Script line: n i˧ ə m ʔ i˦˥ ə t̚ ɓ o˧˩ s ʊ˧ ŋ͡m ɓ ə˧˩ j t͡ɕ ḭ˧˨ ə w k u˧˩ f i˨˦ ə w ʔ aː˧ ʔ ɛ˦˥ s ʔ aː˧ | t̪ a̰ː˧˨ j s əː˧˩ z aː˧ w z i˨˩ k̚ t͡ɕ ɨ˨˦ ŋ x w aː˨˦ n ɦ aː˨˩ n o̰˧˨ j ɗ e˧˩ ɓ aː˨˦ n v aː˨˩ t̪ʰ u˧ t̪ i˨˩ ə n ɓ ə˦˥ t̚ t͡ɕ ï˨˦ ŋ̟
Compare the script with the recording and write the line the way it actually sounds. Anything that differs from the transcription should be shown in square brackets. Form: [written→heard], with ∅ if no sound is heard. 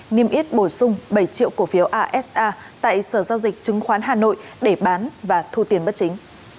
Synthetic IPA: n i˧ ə m ʔ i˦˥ ə t̚ ɓ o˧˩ s ʊ˧ ŋ͡m ɓ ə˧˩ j t͡ɕ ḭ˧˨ ə w k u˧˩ f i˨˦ ə w ʔ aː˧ ʔ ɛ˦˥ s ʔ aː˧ | t̪ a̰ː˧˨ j s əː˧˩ z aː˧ w z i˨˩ k̚ t͡ɕ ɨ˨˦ ŋ x w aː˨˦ n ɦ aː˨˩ n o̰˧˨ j ɗ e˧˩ ɓ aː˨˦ n v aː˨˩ t̪ʰ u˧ t̪ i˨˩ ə n ɓ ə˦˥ t̚ t͡ɕ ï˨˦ ŋ̟